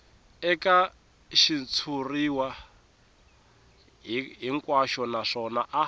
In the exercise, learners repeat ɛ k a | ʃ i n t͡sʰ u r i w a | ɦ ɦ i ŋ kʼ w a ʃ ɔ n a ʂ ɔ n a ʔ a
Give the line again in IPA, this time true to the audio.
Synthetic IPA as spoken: ɛ k a | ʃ i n t͡sʰ u r i w a | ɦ ɦ i ŋ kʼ w a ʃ ɔ n a ʂ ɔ n a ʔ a